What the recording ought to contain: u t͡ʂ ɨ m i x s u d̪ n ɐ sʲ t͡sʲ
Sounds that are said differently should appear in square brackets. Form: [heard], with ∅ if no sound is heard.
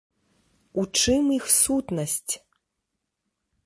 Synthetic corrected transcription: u t͡ʂ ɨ m i x s u [t̪] n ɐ sʲ t͡sʲ